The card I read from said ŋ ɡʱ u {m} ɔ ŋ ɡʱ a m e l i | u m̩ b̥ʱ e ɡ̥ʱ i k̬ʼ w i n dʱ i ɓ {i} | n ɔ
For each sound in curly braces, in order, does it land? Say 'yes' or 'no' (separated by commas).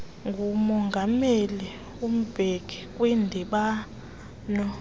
yes, no